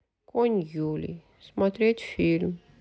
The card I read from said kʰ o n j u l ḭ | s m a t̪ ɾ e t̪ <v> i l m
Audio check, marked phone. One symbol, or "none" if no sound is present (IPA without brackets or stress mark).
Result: f